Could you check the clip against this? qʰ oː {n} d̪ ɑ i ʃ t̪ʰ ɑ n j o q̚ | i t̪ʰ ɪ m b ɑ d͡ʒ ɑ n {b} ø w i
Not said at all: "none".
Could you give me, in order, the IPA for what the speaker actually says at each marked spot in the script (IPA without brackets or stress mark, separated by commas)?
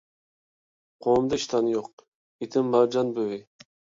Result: m, b